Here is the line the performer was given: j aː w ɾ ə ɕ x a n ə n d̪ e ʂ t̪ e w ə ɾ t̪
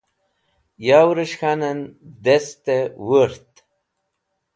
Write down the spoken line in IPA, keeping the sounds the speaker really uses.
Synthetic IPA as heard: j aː w ɾ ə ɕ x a n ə n d̪ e s t̪ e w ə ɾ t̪

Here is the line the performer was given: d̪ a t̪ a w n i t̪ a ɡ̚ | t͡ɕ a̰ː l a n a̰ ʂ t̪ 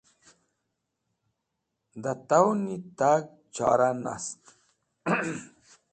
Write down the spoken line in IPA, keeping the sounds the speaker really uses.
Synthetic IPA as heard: d̪ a t̪ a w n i t̪ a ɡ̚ | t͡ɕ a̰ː ɾ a n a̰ s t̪

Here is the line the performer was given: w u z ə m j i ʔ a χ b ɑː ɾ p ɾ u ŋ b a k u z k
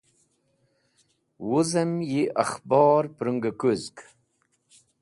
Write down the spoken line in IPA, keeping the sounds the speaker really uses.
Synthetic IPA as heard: w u z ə m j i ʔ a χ b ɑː ɾ p ɾ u ŋ ɡ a k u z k

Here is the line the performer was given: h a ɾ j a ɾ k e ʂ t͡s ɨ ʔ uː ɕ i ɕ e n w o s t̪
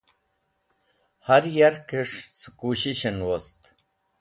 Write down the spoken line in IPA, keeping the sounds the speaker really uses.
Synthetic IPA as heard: h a ɾ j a ɾ k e ʂ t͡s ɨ k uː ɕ i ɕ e n w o s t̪

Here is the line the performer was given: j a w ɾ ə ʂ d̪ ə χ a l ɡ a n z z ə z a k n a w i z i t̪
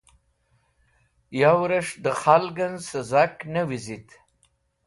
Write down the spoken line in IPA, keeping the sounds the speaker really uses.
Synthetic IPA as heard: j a w ɾ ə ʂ d̪ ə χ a l ɡ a n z s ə z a k n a w i z i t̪

